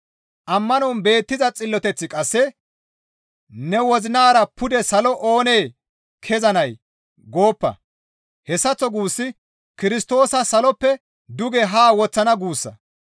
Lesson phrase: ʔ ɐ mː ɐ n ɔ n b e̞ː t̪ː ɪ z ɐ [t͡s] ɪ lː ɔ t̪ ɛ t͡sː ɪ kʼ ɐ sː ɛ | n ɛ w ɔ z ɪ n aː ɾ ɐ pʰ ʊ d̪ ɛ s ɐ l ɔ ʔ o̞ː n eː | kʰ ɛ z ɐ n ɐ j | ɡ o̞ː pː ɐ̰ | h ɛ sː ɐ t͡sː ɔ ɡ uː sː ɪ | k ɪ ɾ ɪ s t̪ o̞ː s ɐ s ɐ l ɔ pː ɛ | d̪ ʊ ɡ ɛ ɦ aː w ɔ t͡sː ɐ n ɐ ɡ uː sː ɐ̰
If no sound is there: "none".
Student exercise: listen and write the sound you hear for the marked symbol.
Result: t͡sʼ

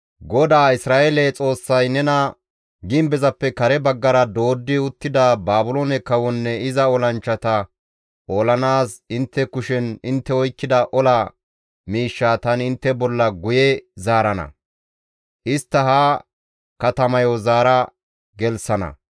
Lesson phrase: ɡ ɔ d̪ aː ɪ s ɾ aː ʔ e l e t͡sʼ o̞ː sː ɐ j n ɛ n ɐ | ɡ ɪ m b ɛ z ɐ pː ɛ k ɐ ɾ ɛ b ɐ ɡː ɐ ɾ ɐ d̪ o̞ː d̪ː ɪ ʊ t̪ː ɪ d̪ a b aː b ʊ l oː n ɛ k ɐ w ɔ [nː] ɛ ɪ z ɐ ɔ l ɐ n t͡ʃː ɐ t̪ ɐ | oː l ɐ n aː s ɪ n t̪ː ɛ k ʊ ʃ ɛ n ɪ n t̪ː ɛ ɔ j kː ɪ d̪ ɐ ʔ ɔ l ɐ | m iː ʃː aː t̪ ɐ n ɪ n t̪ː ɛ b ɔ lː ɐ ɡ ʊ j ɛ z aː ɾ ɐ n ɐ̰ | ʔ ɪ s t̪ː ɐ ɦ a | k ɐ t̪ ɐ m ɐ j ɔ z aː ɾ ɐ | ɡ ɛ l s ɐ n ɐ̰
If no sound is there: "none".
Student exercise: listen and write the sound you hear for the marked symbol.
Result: nː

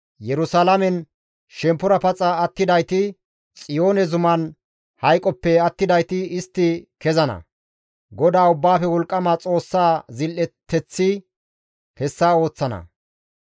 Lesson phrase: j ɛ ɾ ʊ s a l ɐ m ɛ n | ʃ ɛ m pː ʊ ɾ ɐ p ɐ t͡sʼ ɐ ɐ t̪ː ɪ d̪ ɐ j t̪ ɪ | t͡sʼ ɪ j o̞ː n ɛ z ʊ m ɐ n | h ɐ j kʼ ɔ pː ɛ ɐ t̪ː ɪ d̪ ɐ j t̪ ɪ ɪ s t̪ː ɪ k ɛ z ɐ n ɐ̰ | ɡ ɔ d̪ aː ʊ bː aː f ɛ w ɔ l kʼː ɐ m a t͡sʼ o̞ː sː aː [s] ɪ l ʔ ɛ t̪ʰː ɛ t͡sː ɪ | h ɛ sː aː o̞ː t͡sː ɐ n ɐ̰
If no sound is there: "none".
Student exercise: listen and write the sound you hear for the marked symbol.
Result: z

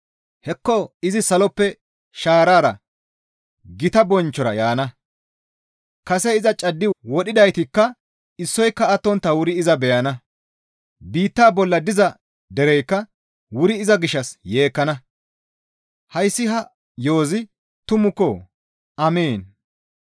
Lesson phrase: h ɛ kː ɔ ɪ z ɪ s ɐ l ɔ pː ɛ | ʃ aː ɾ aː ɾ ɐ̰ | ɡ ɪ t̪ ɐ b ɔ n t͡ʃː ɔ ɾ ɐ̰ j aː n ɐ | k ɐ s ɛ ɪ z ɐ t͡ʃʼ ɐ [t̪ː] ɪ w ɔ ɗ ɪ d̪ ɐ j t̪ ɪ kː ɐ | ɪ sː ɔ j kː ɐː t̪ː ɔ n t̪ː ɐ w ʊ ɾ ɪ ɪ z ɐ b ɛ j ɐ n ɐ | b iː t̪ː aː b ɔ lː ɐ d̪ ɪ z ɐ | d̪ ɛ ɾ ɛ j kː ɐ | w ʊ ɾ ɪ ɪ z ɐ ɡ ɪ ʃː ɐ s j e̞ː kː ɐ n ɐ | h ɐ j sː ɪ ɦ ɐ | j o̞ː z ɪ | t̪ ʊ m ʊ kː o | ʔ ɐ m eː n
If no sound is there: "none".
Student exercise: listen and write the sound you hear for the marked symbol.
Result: d̪ː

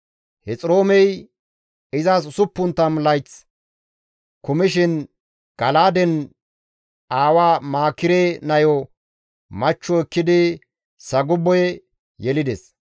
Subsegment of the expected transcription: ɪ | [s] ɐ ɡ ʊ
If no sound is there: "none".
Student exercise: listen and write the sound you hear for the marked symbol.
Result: s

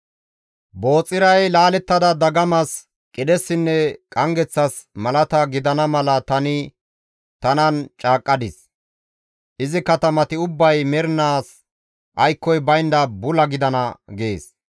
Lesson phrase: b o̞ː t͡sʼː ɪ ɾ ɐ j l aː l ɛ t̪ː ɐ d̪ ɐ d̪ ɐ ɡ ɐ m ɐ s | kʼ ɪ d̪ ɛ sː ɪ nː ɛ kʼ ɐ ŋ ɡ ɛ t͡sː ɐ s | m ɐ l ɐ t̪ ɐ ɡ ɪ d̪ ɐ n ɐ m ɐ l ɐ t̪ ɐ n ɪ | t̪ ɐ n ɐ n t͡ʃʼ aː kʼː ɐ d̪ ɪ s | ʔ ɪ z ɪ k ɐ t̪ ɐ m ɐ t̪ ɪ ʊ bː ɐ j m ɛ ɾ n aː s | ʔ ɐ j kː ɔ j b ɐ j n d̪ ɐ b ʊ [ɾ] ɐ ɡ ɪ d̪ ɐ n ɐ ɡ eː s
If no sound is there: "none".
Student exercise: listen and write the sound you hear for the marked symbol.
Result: l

